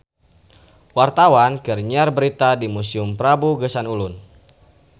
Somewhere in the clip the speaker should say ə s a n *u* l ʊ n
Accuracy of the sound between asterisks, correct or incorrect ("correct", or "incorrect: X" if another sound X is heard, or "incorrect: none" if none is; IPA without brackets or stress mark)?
correct